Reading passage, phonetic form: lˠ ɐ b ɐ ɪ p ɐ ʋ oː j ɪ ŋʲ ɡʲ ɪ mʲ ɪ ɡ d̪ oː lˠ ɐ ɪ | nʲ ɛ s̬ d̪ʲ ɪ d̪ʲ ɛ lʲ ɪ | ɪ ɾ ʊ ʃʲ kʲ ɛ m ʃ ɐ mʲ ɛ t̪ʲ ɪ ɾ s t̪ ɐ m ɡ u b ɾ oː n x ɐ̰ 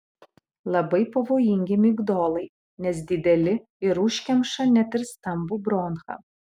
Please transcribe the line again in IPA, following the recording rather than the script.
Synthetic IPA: lˠ ɐ b ɐ ɪ p ɐ ʋ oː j ɪ ŋʲ ɡʲ ɪ mʲ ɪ ɡ d̪ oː lˠ ɐ ɪ | nʲ ɛ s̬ d̪ʲ ɪ d̪ʲ ɛ lʲ ɪ | ɪ ɾ ʊ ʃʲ kʲ ɛ m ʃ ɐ nʲ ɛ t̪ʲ ɪ ɾ s t̪ ɐ m b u b ɾ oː n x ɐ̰